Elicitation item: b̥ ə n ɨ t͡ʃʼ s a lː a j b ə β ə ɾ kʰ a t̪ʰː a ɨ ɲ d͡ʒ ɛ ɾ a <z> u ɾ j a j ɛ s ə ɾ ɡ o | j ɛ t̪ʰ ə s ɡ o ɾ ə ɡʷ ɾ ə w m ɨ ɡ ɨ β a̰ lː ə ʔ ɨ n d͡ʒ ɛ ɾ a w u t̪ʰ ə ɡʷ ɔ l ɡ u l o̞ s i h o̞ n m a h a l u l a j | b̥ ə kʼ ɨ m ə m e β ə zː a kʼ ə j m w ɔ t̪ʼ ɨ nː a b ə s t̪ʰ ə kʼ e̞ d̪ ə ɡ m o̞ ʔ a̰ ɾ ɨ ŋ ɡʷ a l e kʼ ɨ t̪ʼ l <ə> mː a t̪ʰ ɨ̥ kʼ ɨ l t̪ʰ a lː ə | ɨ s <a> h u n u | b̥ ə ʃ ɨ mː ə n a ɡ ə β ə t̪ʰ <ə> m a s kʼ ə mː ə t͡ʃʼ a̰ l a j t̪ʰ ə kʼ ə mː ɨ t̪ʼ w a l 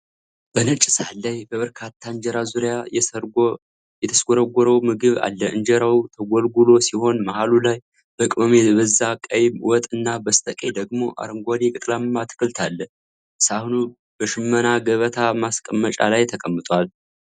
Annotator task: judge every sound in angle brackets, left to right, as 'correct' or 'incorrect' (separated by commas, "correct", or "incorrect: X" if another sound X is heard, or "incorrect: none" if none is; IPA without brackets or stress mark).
correct, incorrect: a, correct, incorrect: a